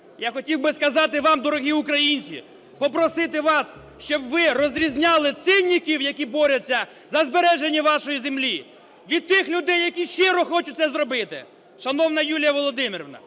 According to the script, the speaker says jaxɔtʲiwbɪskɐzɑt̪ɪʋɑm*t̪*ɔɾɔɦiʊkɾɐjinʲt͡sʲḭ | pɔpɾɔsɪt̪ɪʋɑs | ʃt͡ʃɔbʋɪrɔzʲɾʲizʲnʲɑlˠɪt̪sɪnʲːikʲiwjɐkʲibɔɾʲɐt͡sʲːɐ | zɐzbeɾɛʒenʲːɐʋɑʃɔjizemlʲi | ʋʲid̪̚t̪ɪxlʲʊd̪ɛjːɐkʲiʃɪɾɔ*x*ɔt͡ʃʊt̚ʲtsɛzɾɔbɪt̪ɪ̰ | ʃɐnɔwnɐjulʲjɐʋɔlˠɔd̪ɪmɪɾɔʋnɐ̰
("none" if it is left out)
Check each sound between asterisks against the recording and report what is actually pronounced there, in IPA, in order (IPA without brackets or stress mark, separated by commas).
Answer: d̪, x